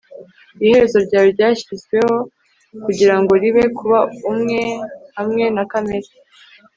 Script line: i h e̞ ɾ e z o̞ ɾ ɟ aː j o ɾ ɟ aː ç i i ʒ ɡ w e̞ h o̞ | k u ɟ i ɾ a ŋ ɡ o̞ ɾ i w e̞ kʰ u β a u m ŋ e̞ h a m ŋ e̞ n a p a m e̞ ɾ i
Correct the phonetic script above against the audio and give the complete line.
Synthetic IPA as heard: i h e̞ ɾ e z o̞ ɾ ɟ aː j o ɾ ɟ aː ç i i z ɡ w e̞ h o̞ | k u ɟ i ɾ a ŋ ɡ o̞ ɾ i β e̞ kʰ u β a u m ŋ e̞ h a m ŋ e̞ n a k a m e̞ ɾ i